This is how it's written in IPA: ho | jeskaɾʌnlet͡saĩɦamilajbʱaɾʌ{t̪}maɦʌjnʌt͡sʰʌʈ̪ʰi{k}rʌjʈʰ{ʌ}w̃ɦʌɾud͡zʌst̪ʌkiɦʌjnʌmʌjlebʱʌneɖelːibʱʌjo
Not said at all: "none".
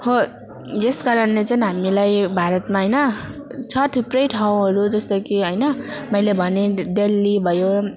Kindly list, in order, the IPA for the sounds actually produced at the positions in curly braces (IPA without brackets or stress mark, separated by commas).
t̪, p, a